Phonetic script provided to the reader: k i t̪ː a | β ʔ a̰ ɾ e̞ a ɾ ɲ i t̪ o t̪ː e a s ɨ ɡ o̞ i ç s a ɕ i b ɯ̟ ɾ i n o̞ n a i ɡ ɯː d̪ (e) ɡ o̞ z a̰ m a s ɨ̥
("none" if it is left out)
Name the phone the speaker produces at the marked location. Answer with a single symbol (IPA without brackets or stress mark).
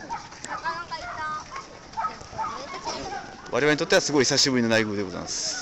e